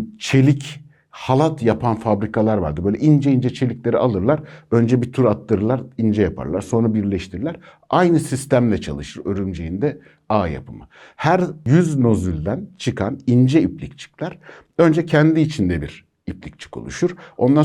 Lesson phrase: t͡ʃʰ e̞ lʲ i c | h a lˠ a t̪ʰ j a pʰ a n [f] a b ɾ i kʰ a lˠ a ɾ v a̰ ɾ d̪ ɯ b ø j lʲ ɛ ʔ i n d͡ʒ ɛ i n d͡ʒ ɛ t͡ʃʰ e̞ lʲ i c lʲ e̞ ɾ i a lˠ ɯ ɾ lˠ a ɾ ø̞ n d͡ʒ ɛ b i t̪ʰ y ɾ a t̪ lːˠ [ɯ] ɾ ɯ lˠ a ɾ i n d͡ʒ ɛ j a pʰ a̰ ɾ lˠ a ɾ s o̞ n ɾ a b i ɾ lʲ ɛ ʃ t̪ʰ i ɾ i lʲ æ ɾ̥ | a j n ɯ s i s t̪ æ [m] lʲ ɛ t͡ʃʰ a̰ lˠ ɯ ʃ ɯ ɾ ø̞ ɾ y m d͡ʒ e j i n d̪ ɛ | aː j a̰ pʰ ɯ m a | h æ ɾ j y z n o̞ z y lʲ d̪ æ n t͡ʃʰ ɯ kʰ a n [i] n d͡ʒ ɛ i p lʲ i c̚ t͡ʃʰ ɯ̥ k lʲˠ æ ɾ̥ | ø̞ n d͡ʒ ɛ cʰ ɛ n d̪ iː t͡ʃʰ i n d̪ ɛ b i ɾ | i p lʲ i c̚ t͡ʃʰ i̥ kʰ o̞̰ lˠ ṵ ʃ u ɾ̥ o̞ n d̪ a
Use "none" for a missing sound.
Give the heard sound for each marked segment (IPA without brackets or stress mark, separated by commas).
f, ɯ, m, i